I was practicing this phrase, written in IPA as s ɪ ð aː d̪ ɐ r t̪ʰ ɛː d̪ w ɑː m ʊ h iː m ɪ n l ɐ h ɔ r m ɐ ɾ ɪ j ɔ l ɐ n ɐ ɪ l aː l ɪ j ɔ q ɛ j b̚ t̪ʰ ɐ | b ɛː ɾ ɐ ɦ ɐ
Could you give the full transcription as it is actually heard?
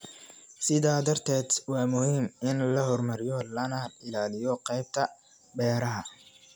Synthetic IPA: s ɪ ð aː d̪ ɐ r t̪ʰ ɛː d̪ w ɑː m ʊ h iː m ɪ n l ɐ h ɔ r m ɐ ɾ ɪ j ɔ l ɐ n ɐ ɪ l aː l ɪ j ɔ q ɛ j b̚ t̪ʰ ɐ | b ɛː ɾ ɐ ɦ ɐ